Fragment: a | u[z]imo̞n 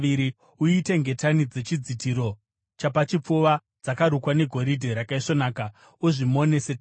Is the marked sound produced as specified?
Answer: no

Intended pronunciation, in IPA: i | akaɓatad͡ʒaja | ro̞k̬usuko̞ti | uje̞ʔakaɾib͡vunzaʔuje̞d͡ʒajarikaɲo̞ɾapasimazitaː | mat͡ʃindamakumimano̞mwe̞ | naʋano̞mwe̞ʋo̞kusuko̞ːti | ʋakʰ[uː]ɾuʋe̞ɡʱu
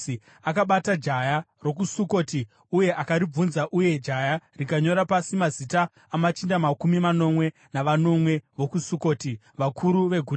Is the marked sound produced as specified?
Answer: no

